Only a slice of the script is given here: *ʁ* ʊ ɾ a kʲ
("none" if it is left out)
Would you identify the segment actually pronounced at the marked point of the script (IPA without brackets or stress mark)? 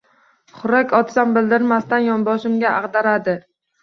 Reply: χ